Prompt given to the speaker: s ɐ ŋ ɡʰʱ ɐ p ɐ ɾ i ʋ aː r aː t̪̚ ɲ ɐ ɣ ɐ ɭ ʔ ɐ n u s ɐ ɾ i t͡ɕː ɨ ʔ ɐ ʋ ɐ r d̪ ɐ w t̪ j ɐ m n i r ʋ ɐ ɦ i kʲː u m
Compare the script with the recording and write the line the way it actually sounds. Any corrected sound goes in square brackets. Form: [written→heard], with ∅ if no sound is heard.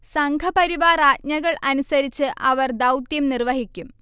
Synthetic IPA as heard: s ɐ ŋ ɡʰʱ ɐ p ɐ ɾ i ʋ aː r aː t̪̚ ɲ ɐ ɣ ɐ ɭ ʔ ɐ n u s ɐ ɾ i t͡ɕː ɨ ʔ ɐ ʋ ɐ r d̪ ɐ w t̪ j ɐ m n i r ʋ ɐ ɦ i kʲː u m